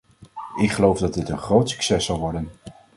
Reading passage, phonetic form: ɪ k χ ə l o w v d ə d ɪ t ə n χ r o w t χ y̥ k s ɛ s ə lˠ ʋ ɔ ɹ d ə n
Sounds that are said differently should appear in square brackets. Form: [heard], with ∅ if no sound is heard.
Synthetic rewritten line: ɪ k χ ə l o w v d [ɑ] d ɪ t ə n χ r o w t [s] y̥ k s ɛ s [ɑ] lˠ ʋ ɔ ɹ d ə n